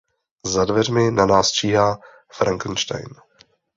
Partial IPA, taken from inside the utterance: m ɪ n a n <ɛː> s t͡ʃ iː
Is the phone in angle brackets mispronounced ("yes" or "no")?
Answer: yes